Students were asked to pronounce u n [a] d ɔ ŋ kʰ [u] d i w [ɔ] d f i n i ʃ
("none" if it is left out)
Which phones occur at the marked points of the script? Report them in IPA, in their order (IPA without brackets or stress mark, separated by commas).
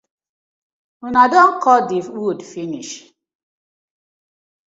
a, ɔ, u